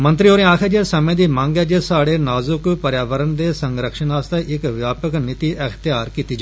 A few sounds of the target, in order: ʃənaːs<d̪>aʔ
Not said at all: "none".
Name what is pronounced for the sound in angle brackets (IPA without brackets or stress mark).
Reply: t̪